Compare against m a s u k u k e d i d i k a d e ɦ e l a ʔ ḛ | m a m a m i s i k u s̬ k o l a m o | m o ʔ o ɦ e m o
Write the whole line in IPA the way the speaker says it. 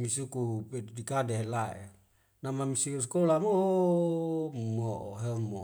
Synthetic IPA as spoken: m i s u k u p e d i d i k a d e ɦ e l a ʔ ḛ | n a m a m i s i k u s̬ k o l a m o | m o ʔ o ɦ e m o